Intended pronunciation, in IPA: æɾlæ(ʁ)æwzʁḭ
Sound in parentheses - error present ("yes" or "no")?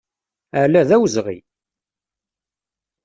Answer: yes